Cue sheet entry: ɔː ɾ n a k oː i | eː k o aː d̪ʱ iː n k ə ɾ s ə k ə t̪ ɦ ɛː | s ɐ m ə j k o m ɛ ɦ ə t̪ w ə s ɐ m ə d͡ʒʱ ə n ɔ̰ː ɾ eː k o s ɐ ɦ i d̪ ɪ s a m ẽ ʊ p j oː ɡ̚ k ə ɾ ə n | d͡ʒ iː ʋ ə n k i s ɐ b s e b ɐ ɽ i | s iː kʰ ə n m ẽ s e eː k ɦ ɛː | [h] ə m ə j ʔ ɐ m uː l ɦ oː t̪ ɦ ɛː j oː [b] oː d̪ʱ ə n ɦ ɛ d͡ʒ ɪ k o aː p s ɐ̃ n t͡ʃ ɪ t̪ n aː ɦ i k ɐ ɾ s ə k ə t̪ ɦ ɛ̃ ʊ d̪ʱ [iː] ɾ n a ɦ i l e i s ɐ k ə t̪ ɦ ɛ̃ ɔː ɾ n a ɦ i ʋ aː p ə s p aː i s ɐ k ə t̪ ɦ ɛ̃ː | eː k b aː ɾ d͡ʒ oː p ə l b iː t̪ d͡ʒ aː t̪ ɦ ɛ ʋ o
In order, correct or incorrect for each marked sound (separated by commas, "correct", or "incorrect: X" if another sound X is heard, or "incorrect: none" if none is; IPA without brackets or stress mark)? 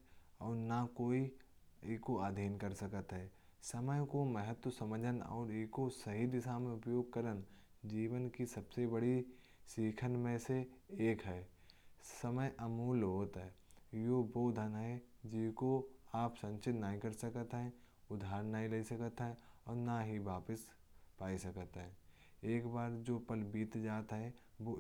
incorrect: s, correct, incorrect: aː